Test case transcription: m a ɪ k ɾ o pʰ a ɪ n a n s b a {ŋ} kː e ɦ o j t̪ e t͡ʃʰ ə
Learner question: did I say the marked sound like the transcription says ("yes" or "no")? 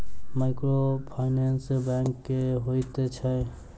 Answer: yes